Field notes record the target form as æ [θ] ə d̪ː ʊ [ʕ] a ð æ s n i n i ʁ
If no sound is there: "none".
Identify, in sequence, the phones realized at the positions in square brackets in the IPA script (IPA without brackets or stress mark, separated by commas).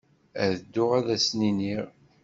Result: ð, ʁ